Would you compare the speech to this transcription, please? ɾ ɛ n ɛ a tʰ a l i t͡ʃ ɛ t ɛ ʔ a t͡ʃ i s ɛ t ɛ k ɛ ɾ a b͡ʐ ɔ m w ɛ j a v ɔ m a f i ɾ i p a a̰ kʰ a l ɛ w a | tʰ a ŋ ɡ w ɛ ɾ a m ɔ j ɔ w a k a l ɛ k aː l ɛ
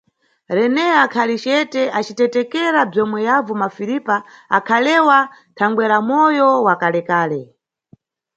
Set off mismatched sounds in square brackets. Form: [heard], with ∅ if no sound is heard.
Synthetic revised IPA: ɾ ɛ n ɛ a [kʰ] a l i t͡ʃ ɛ t ɛ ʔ a t͡ʃ i [t] ɛ t ɛ k ɛ ɾ a b͡ʐ ɔ m w ɛ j a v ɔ m a f i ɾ i p a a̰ kʰ a l ɛ w a | tʰ a ŋ ɡ w ɛ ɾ a m ɔ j ɔ w a k a l ɛ k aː l ɛ